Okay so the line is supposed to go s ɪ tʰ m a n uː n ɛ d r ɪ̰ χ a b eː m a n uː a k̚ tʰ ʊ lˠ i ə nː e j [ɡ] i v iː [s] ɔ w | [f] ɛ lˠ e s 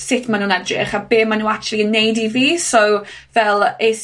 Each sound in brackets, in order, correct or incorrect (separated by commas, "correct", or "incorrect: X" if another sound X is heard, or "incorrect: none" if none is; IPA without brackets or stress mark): incorrect: d, correct, incorrect: v